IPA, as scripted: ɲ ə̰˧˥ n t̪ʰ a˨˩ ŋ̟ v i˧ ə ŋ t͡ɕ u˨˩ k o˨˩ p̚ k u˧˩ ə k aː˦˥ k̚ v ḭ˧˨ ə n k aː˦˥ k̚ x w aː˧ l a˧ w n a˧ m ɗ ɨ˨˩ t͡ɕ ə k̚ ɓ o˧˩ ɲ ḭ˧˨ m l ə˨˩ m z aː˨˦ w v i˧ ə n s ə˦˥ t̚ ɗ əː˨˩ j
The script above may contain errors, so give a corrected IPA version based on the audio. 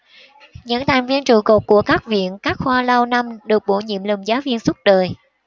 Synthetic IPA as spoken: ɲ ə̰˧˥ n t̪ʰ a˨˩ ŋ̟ v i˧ ə n t͡ɕ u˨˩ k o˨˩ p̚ k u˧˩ ə k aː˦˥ k̚ v ḭ˧˨ ə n k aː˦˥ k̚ x w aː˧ l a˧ w n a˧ m ɗ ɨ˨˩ ə k̚ ɓ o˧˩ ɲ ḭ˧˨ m l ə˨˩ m z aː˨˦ w v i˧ ə n s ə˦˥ t̚ ɗ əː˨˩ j